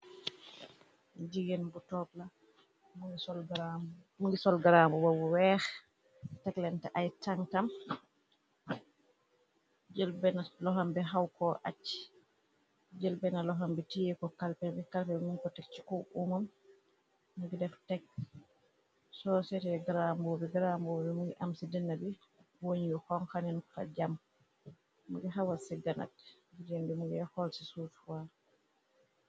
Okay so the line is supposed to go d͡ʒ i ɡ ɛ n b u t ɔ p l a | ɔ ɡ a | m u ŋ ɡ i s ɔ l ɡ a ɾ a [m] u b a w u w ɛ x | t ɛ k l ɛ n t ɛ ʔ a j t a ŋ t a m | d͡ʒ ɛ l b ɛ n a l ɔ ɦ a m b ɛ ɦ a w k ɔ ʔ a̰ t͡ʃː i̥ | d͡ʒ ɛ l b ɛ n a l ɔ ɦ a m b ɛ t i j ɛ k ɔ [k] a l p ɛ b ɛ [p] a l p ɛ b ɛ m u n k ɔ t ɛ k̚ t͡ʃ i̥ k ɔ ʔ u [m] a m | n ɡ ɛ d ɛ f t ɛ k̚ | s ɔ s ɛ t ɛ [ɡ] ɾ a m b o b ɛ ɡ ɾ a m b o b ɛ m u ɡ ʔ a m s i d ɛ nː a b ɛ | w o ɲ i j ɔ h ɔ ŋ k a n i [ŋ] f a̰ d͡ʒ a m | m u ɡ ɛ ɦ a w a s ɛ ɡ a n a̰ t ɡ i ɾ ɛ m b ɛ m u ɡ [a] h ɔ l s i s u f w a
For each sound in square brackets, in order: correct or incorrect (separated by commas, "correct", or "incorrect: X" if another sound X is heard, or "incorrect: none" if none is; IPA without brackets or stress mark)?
correct, correct, incorrect: k, correct, correct, incorrect: n, incorrect: ɛ